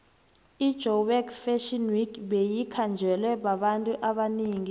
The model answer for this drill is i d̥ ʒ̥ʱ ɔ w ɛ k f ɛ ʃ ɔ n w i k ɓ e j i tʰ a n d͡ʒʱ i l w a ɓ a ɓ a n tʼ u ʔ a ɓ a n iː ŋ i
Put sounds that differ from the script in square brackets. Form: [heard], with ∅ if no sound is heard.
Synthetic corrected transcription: i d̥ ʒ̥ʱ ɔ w ɛ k f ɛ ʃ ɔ n w i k ɓ e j i [kʰ] a n d͡ʒʱ [ɛ] l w [ɛ] ɓ a ɓ a n tʼ u ʔ a ɓ a n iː ŋ i